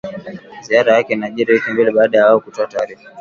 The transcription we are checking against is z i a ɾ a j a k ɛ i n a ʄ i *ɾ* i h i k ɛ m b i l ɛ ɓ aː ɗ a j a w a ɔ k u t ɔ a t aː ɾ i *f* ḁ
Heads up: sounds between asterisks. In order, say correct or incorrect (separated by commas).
correct, correct